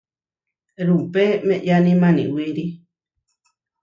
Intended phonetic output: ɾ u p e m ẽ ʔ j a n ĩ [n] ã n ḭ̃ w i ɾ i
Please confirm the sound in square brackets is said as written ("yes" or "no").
no